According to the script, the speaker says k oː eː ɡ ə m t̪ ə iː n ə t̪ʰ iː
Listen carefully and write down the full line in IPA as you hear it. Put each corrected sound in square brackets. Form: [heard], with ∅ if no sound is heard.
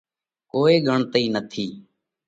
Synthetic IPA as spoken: k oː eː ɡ ə [ɳ] t̪ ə iː n ə t̪ʰ iː